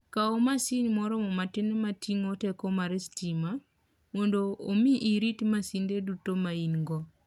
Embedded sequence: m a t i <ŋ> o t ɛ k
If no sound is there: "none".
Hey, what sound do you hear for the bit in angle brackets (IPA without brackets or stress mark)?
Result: ŋ